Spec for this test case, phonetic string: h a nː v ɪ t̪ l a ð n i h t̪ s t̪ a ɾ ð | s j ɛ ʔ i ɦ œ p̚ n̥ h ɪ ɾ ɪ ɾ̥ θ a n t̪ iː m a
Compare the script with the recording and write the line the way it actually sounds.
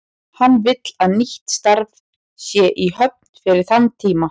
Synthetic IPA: h a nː v ɪ t̪ l a ð n i h t̪ s t̪ a ɾ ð | s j ɛ ʔ i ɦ œ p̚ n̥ f ɪ ɾ ɪ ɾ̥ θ a n t̪ʰ iː m a